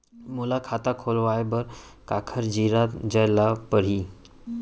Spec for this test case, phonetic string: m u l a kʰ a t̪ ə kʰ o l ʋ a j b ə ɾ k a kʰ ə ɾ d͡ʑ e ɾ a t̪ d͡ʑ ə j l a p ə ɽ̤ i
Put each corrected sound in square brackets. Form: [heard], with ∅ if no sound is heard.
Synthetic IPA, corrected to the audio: m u l a kʰ a t̪ [a] kʰ o l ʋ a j b ə ɾ k a kʰ ə ɾ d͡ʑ [i] ɾ a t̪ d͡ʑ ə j l a p ə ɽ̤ i